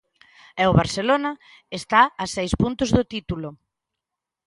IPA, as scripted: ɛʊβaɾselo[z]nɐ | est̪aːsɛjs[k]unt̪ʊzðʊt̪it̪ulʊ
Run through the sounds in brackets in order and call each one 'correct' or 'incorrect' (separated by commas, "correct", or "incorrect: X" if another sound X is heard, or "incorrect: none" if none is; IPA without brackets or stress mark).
incorrect: none, incorrect: p